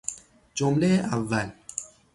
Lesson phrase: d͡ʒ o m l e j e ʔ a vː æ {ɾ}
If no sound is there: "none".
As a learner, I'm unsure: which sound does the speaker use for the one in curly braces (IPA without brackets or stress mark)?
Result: l